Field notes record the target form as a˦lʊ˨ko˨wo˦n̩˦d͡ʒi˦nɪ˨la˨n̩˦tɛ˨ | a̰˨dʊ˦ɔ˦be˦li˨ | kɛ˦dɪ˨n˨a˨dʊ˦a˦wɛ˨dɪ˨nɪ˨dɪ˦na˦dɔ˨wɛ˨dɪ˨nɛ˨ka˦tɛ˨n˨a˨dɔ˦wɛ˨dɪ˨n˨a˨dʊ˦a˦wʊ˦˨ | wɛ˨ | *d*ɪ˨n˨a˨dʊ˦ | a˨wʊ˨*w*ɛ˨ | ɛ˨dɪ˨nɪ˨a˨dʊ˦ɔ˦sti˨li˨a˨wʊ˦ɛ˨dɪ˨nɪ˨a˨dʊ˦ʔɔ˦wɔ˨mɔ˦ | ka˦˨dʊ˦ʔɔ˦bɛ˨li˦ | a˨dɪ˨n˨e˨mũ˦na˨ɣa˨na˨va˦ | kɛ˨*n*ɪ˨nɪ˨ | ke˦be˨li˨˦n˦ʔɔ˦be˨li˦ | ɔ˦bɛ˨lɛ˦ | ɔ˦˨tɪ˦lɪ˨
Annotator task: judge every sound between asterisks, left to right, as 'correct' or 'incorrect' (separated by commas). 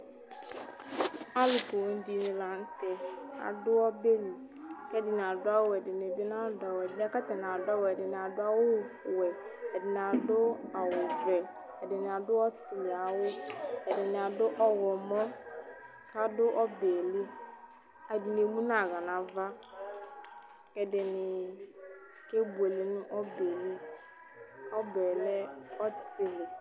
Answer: correct, incorrect, incorrect